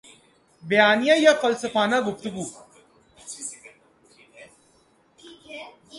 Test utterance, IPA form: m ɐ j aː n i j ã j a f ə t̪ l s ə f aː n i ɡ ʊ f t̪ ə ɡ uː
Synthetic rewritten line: b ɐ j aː n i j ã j a f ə l s ə f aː n a ɡ ʊ f t̪ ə ɡ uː